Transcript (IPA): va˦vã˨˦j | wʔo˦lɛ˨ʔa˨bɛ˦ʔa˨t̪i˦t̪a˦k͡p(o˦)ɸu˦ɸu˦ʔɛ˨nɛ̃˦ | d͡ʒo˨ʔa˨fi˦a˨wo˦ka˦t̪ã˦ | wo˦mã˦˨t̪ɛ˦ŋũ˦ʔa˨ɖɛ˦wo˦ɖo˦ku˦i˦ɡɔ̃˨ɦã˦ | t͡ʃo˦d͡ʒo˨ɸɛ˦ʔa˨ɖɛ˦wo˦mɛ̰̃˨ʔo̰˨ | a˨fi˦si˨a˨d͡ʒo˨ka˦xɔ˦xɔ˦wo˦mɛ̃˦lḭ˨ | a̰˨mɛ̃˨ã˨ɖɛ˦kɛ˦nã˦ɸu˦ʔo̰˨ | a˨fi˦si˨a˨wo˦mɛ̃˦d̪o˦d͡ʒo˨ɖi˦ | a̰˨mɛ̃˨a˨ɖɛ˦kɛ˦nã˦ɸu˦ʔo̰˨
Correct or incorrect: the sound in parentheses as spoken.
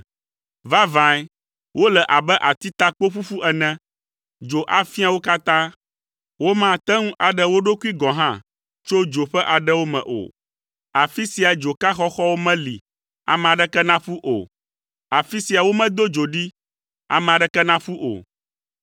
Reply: correct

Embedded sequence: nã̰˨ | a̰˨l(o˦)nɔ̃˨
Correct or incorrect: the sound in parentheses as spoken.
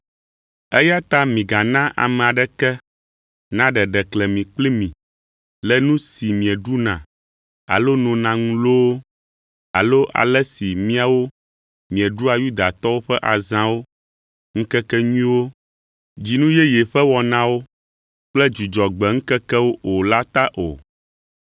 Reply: correct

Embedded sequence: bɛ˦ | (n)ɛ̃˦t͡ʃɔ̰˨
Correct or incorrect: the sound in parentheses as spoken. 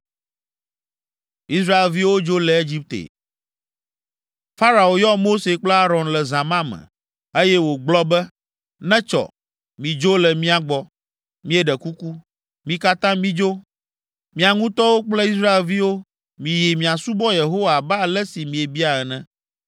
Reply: correct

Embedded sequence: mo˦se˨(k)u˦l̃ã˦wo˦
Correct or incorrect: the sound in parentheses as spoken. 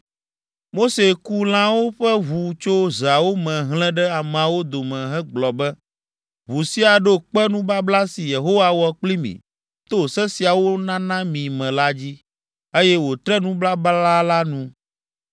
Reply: correct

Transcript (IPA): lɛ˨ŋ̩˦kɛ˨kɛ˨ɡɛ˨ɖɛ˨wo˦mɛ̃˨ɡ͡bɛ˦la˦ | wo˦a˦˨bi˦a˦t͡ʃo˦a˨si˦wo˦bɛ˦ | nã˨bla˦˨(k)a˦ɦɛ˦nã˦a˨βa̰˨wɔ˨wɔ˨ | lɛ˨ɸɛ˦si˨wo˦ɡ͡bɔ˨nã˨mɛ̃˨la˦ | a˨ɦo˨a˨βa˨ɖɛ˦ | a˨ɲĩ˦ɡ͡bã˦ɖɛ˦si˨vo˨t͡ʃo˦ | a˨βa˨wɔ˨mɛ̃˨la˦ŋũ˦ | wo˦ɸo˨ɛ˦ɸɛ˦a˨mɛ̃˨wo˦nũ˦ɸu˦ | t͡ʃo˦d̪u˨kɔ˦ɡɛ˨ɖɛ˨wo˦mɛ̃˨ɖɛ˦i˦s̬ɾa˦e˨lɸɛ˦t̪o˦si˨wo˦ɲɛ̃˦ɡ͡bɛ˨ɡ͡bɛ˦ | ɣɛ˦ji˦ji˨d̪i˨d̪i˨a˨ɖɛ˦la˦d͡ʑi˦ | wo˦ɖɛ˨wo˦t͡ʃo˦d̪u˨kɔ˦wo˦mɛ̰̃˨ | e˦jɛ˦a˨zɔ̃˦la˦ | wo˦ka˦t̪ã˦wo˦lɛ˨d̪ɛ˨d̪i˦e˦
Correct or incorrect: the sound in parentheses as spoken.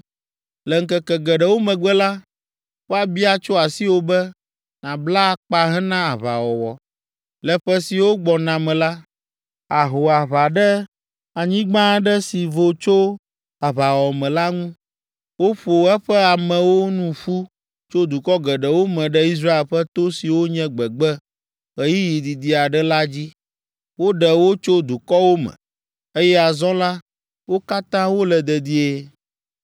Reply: incorrect: k͡p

